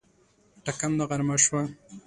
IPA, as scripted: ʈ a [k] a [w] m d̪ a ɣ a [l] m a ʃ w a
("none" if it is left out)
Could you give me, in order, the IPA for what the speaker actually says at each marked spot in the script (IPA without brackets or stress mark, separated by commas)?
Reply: k, none, ɾ